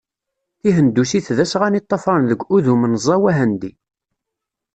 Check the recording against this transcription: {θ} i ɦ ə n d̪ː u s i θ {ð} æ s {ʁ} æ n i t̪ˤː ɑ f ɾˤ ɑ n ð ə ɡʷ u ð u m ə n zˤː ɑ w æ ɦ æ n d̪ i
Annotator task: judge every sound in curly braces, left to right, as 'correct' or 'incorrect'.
correct, correct, correct

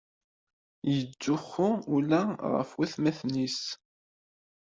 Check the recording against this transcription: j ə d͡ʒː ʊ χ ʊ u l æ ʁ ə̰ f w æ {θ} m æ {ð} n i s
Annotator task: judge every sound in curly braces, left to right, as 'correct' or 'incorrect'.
correct, incorrect: θ

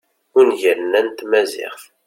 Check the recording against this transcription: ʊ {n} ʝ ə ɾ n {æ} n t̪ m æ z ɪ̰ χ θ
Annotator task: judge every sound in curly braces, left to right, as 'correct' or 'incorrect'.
correct, correct

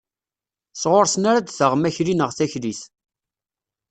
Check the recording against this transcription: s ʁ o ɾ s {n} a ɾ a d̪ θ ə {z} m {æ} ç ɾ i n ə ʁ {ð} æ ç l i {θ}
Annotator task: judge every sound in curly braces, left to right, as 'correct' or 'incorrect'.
correct, incorrect: ʁ, correct, incorrect: θ, correct

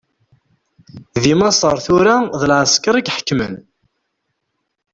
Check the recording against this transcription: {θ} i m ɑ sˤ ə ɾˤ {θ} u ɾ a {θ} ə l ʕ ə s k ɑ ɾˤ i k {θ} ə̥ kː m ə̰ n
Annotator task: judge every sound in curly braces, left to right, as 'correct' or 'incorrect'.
incorrect: ð, correct, incorrect: ð, incorrect: ħ

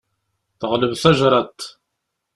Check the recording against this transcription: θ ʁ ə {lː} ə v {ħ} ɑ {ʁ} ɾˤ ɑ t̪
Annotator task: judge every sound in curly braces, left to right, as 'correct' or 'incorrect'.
incorrect: l, incorrect: θ, incorrect: ʒ

